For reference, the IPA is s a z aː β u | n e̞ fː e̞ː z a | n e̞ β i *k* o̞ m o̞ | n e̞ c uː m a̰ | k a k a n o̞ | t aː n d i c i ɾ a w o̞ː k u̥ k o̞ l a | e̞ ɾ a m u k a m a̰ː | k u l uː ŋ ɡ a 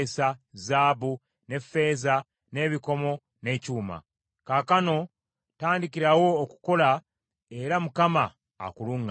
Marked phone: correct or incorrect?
correct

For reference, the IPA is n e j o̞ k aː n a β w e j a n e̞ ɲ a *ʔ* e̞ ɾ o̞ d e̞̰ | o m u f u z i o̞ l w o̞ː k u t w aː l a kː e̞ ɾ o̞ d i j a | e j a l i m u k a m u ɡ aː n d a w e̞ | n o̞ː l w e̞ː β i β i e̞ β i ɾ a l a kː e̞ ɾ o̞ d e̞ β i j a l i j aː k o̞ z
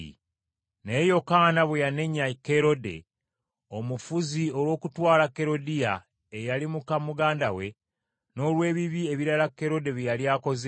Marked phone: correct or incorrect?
incorrect: k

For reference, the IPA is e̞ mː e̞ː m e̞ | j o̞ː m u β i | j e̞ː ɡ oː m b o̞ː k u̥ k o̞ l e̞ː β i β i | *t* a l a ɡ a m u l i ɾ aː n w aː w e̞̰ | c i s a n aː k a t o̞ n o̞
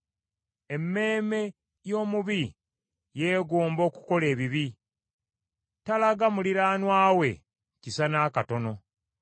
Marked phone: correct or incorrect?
correct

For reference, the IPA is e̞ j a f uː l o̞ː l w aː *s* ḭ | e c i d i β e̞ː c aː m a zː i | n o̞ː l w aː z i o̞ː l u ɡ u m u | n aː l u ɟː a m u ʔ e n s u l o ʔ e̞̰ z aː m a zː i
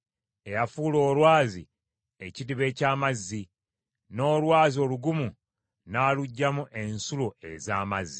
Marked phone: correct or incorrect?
incorrect: z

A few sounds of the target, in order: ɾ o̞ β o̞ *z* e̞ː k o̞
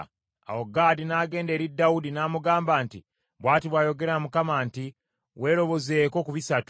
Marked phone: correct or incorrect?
correct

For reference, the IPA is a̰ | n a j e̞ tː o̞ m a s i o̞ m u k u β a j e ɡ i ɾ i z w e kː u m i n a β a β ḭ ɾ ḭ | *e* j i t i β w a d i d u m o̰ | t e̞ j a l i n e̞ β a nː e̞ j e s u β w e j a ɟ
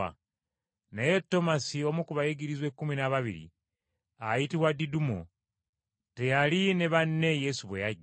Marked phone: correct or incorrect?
incorrect: a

